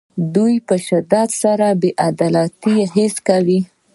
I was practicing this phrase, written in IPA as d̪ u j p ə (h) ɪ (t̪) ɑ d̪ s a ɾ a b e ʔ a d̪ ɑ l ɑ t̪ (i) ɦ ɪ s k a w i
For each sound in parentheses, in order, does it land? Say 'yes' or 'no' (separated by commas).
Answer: no, no, yes